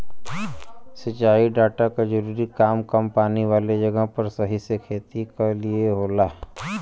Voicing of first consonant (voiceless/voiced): voiceless